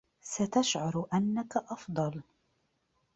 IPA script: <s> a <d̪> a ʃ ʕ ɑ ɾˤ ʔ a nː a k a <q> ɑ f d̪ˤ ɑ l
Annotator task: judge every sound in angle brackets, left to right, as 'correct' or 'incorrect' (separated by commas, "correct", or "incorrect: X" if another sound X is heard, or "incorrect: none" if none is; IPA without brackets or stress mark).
correct, incorrect: t̪, incorrect: ʔ